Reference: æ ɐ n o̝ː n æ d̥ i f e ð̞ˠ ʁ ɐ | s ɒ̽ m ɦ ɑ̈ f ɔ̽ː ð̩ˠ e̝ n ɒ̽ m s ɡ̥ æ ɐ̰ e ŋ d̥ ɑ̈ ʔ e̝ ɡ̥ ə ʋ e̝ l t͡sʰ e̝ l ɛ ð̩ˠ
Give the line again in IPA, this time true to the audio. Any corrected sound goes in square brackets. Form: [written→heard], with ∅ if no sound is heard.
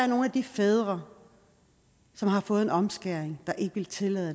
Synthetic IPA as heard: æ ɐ n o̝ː n æ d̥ i f e ð̞ˠ ʁ ɐ | s ɒ̽ m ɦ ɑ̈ f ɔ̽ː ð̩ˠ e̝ n ɒ̽ m s ɡ̥ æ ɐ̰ e ŋ d̥ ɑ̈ ʔ e̝ ɡ̥ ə ʋ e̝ l t͡sʰ e̝ l ɛ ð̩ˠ